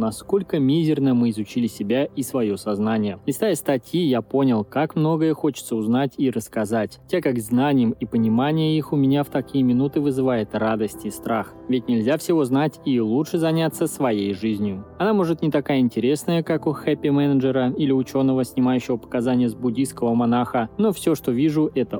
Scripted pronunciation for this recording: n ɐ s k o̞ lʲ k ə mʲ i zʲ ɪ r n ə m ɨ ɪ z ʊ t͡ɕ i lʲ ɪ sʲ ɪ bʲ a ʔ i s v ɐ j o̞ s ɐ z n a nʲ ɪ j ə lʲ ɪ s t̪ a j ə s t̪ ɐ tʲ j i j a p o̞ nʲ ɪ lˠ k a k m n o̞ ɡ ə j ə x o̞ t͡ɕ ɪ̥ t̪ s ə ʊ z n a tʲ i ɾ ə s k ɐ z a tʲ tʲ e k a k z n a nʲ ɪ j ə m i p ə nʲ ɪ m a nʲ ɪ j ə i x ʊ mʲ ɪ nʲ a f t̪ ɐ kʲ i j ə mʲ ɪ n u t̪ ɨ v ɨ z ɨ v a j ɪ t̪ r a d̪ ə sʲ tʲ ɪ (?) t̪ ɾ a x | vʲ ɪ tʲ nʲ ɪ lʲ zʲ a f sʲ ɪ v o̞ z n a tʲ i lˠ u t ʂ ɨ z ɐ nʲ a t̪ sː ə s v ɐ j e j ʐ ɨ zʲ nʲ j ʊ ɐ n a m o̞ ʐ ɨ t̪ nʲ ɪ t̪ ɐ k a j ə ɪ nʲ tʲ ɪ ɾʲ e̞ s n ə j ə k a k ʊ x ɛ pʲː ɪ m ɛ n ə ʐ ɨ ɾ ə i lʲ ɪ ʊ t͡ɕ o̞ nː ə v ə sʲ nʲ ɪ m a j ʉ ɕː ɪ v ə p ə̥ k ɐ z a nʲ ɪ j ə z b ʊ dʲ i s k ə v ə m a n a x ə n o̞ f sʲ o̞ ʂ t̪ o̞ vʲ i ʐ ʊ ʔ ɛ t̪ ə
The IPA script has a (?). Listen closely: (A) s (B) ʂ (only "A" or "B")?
A